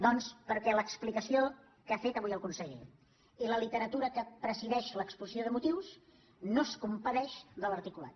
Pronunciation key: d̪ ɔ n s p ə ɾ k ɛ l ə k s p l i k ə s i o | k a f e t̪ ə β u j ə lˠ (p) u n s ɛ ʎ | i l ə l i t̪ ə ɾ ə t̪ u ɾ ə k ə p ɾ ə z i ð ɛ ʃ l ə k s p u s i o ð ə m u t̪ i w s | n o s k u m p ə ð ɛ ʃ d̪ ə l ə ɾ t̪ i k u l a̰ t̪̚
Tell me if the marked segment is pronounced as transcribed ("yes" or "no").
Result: no